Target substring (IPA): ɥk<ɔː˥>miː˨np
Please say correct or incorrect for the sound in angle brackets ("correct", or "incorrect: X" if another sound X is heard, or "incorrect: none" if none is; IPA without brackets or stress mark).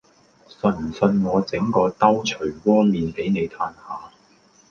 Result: correct